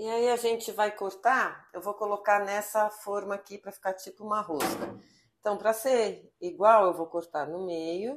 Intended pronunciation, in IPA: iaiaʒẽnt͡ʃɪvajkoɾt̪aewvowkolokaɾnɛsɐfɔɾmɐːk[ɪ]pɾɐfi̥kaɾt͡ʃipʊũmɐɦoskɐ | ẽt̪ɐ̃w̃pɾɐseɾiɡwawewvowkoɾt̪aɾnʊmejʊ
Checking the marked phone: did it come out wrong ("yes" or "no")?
yes